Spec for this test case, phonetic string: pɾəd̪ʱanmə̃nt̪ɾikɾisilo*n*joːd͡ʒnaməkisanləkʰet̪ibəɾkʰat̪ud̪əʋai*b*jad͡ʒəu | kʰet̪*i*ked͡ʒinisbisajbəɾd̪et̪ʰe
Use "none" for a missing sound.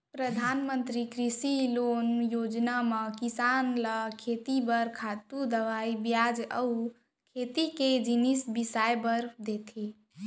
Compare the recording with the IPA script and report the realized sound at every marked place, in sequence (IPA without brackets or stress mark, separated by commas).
n, b, i